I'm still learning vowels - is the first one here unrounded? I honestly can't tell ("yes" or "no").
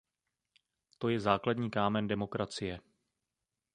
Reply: no